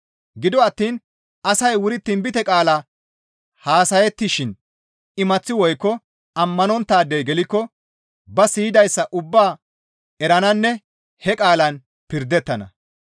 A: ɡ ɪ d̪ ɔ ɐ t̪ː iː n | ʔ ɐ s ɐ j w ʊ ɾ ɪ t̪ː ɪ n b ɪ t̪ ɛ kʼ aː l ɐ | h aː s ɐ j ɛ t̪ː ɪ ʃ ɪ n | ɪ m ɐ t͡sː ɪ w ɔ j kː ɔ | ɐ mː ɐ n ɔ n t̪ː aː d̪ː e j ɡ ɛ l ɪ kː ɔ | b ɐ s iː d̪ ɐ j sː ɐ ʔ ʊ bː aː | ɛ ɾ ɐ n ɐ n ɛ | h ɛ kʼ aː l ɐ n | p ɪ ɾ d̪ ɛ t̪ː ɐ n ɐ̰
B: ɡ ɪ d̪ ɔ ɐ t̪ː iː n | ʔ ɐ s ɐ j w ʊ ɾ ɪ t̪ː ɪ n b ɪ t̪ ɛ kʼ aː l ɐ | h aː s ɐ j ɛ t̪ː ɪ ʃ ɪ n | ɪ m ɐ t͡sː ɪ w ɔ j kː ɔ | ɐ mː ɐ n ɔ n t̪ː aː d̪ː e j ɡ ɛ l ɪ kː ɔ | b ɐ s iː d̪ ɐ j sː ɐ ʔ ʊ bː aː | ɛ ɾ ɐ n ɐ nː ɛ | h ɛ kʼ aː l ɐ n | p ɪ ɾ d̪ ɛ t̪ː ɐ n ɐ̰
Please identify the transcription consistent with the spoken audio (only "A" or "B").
B